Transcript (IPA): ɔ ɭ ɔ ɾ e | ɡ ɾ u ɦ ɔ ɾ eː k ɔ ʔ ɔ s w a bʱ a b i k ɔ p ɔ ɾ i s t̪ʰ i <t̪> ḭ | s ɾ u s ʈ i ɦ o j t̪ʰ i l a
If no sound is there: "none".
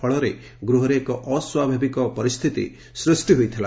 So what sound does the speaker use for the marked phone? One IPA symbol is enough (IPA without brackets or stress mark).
t̪